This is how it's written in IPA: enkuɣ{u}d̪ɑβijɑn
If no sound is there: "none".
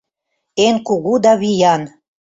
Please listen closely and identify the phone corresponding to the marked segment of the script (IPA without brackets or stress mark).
u